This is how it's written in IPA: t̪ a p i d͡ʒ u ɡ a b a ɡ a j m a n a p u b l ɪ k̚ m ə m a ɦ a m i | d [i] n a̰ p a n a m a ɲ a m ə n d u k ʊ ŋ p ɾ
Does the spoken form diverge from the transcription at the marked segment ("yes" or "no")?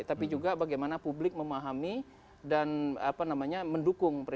yes